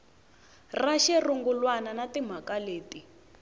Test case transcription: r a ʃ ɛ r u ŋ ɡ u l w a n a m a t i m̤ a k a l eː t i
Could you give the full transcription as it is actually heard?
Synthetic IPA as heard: r a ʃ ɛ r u ŋ ɡ u l w a n a n a t i m̤ a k a l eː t i